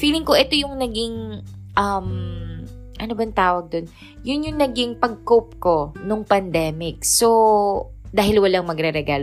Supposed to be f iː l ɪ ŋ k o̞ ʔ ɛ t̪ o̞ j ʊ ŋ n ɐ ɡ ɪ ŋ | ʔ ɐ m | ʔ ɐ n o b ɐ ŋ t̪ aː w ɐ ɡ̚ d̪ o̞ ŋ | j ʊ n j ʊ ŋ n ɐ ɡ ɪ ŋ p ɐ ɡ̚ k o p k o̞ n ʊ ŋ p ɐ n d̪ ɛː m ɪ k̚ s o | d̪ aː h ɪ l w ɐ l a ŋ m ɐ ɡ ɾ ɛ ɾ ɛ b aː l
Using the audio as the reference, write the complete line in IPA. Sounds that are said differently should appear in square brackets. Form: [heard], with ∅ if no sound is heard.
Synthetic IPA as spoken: f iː l ɪ ŋ k o̞ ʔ ɛ t̪ o̞ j ʊ ŋ n ɐ ɡ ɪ ŋ | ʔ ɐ m | ʔ ɐ n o b ɐ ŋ t̪ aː w ɐ ɡ̚ d̪ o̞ [n] | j ʊ n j ʊ ŋ n ɐ ɡ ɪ ŋ p ɐ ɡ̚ k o p k o̞ n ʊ ŋ p ɐ n d̪ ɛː m ɪ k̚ s o | d̪ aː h ɪ l w ɐ l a ŋ m ɐ ɡ ɾ ɛ ɾ ɛ [ɡ] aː l